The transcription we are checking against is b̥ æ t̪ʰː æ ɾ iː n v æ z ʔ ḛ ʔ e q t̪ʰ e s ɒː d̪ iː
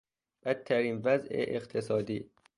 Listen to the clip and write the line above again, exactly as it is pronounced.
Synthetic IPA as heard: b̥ æ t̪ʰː æ ɾ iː n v æ z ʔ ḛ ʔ e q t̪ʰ e s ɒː d̪ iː